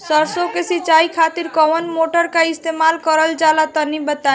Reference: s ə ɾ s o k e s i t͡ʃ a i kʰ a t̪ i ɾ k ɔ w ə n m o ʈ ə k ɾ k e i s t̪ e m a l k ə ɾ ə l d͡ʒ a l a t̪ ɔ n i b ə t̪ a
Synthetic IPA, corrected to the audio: s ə ɾ s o k e s i t͡ʃ a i kʰ a t̪ i ɾ k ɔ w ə n m o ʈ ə ɾ k a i s t̪ e m a l k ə ɾ ə l d͡ʒ a l a t̪ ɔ n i b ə t̪ a

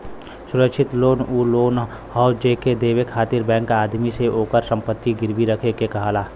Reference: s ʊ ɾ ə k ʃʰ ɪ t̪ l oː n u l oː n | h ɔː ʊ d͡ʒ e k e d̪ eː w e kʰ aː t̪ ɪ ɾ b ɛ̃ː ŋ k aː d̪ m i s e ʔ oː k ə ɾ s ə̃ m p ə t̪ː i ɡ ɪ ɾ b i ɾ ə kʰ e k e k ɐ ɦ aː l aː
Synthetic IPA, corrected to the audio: s ʊ ɾ ə k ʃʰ ɪ t̪ l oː n u l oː n | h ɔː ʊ d͡ʒ e k e d̪ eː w e kʰ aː t̪ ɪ ɾ b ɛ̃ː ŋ k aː d̪ m i s e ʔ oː k ə ɾ s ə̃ m p ə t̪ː i ɡ ɪ ɾ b i ɾ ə kʰ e k e k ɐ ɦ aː l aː

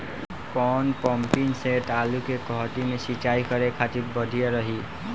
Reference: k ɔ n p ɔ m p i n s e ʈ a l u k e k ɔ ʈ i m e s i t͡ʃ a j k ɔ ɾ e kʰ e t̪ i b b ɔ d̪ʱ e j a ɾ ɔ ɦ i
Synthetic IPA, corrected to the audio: k ɔ n p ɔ m p i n s e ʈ a l u k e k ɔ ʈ i m e s i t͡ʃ a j k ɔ ɾ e kʰ a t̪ i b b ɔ d̪ʱ i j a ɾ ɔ ɦ i

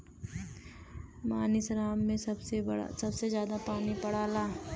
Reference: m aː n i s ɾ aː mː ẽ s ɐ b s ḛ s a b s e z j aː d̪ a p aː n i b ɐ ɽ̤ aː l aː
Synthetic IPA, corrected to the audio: m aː n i s ɾ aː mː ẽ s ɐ b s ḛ s ɐ b s e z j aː d̪ a p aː n i p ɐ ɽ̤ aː l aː

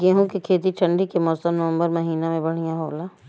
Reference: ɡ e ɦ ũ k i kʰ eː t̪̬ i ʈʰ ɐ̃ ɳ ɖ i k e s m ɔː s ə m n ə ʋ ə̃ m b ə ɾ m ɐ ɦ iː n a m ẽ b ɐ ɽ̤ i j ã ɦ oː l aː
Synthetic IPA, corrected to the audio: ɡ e ɦ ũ k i kʰ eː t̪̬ i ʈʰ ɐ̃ ɳ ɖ i k e m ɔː s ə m n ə ʋ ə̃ m b ə ɾ m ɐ ɦ iː n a m ẽ b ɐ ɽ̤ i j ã ɦ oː l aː

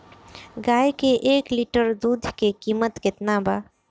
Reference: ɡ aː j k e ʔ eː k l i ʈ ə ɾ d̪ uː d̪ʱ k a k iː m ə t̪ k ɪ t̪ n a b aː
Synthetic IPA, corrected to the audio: ɡ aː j k e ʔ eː k l i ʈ ə ɾ d̪ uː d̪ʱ k e k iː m ə t̪ k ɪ t̪ n a b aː

